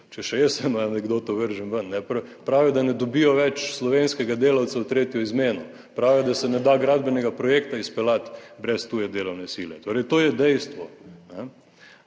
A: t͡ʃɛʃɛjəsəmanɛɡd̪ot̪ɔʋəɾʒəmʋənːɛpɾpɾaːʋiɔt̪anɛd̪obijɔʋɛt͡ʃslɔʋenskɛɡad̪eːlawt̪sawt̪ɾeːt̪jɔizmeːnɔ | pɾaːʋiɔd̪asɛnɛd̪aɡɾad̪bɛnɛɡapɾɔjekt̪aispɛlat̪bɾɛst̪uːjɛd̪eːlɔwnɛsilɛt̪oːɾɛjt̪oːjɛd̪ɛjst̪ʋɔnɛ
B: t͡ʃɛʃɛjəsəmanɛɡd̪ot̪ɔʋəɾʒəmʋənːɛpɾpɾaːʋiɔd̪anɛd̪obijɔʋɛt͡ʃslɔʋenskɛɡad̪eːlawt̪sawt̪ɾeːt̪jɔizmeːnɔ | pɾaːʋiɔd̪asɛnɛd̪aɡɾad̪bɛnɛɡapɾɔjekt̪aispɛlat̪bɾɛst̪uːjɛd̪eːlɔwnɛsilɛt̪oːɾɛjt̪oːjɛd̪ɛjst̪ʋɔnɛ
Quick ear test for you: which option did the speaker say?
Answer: B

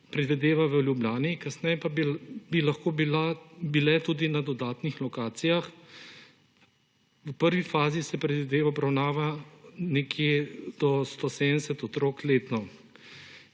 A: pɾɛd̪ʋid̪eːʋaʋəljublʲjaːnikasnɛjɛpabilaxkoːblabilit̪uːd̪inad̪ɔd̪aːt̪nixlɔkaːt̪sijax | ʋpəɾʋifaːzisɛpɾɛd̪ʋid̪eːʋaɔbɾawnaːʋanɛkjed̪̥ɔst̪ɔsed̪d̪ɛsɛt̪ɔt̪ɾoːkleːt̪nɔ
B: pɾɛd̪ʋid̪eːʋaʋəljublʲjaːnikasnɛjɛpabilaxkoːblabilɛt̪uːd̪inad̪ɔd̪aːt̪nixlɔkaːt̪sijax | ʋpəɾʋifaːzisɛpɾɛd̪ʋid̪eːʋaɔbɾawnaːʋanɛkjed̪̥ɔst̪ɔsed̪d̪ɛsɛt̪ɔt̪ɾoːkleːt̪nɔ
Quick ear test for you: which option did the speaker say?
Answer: B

